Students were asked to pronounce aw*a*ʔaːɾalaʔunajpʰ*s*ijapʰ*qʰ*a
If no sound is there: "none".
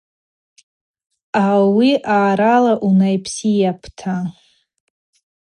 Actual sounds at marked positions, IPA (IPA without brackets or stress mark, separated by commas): i, s, tʰ